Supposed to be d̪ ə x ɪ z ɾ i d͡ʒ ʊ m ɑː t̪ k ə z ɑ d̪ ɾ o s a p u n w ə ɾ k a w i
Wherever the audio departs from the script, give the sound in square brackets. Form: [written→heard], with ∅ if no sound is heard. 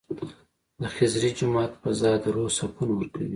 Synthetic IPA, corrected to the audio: d̪ ə x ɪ z ɾ i d͡ʒ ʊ m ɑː t̪ [k→p] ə z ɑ d̪ ɾ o s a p u n w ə ɾ k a w i